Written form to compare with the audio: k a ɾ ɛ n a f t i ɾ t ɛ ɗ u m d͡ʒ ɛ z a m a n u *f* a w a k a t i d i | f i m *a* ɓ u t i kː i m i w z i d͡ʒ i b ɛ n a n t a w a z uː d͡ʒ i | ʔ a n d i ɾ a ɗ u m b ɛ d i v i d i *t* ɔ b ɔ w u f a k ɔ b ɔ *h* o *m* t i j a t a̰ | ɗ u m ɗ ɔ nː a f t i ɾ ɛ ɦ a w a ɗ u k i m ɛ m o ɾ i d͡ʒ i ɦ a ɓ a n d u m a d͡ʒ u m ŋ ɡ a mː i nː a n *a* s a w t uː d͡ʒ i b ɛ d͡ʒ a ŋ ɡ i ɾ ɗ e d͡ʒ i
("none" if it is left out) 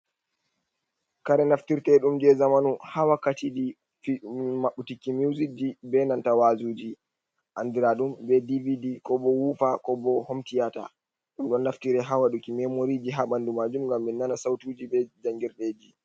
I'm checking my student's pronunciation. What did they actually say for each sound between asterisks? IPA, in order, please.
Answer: h, a, k, h, m, a

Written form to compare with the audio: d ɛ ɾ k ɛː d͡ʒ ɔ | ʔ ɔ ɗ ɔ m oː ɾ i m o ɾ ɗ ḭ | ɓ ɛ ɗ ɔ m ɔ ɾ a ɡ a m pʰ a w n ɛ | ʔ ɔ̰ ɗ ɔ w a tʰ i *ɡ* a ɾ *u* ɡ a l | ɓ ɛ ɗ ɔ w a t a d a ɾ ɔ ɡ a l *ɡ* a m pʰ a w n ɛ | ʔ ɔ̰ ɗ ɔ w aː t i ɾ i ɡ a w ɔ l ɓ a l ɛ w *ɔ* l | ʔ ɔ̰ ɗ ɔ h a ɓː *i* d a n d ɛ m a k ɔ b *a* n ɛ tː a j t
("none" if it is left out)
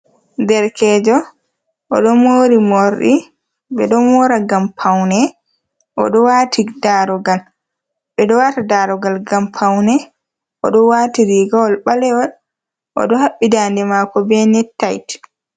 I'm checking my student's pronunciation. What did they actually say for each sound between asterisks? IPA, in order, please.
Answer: d, ɔ, ɡ, ɔ, i, ɛ

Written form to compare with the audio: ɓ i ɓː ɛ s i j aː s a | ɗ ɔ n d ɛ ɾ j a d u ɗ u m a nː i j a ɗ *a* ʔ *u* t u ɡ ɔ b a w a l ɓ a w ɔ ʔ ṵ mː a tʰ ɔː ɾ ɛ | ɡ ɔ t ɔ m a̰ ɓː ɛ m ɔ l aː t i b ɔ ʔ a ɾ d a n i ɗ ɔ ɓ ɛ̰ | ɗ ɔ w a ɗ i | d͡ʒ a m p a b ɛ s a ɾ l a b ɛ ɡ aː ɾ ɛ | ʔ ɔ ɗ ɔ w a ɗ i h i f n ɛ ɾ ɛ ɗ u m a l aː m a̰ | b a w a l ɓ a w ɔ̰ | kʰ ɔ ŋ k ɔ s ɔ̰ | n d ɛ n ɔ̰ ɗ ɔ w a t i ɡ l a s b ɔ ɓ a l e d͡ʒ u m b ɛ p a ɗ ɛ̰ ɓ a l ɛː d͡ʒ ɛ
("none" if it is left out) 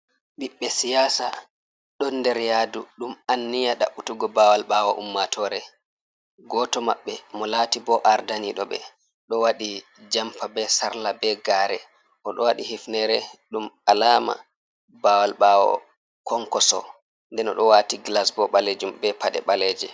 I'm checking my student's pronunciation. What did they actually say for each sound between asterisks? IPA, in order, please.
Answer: a, u

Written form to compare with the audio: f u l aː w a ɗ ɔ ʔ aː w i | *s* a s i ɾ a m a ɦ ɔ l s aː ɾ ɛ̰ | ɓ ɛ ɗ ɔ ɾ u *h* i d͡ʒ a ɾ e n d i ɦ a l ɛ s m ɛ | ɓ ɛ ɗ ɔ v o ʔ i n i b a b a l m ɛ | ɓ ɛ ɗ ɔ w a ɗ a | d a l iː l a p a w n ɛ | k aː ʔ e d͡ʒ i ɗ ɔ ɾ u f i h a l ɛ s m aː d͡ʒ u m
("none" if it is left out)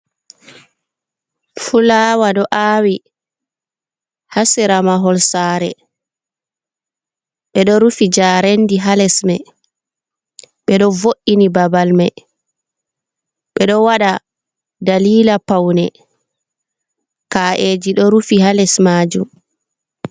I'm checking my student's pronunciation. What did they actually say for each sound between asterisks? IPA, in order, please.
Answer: h, f

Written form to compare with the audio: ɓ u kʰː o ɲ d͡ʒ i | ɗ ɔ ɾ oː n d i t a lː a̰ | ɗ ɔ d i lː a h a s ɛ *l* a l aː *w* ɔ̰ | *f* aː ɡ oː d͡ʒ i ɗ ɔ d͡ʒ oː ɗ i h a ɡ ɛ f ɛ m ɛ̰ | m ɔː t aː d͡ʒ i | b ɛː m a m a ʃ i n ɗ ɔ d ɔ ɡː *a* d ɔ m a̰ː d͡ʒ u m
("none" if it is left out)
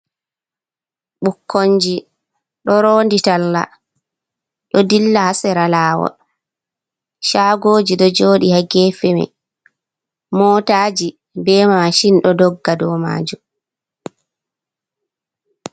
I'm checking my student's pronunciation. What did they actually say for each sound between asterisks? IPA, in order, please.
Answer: ɾ, w, ʃ, a

